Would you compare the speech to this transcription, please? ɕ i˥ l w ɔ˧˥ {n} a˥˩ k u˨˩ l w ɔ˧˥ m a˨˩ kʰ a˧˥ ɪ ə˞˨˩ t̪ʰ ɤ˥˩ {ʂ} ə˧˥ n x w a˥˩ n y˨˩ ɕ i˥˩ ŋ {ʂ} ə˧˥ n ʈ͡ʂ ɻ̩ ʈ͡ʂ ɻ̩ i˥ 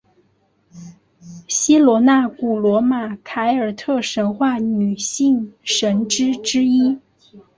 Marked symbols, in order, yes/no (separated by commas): yes, yes, yes